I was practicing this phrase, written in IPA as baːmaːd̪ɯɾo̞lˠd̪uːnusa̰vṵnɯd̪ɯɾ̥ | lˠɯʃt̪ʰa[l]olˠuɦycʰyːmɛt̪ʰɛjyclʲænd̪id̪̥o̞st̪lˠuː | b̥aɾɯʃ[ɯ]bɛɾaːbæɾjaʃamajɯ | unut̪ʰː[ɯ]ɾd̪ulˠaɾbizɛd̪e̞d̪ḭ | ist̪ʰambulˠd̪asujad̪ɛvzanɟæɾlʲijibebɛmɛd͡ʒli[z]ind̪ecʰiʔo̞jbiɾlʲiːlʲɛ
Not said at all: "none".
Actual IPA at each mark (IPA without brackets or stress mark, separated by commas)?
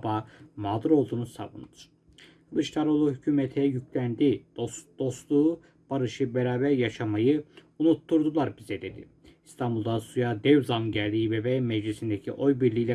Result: ɾ, ɯ, u, s